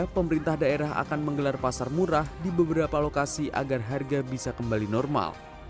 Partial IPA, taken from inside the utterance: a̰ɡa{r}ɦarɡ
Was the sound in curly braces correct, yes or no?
yes